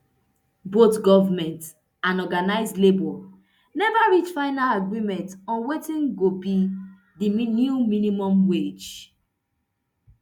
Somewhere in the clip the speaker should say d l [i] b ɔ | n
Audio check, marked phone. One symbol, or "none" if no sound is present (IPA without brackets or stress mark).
e